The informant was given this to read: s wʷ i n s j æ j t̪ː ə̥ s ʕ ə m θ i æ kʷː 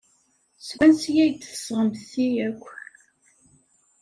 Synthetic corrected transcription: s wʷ æ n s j æ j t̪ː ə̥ s ʁ ə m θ i æ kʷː